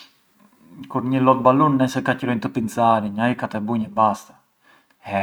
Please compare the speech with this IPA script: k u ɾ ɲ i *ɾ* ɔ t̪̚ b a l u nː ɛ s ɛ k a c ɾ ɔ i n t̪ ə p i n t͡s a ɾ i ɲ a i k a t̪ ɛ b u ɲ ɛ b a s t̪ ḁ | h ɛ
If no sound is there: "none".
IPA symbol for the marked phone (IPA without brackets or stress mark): l